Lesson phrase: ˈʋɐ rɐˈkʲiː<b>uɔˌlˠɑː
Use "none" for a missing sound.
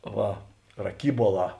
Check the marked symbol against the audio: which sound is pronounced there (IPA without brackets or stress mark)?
b